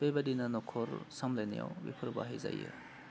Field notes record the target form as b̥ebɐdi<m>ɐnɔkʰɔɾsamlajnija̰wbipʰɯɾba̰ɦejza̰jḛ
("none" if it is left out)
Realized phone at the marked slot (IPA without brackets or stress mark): n